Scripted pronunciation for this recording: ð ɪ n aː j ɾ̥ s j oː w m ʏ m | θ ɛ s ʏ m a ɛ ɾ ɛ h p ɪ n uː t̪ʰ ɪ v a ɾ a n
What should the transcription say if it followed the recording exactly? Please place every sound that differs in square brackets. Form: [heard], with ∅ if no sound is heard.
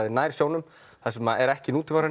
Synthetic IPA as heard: ð ɪ n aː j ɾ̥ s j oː w [n] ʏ m | θ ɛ s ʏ m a ɛ ɾ ɛ h [c] ɪ n uː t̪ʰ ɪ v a ɾ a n